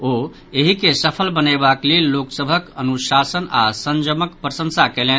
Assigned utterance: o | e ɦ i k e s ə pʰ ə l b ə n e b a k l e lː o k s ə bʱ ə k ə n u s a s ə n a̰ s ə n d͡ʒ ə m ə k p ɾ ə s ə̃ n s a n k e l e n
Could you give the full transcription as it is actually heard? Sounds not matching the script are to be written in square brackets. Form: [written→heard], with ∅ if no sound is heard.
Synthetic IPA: o | e ɦ i k e s ə pʰ ə l b ə n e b a k l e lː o k s ə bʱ ə k ə n u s a s ə n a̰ s ə n d͡ʒ ə m ə k p ɾ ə s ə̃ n s a [n→∅] k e l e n